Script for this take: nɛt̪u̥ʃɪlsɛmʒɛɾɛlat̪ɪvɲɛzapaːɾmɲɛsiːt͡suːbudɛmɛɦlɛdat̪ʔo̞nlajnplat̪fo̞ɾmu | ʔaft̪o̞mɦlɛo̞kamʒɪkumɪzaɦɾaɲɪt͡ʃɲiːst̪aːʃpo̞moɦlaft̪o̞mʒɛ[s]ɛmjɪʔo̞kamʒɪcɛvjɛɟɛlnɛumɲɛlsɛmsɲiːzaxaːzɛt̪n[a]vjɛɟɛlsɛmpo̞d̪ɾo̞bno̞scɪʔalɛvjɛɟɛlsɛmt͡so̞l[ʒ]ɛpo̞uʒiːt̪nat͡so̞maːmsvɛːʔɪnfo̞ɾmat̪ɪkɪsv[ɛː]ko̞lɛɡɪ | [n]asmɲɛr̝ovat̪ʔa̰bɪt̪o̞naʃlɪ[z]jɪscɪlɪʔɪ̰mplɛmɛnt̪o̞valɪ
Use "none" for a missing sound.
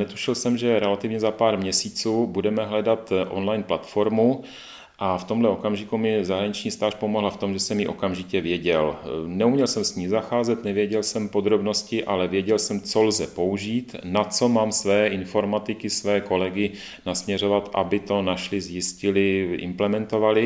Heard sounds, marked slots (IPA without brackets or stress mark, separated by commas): s, ɛ, z, ɛː, n, z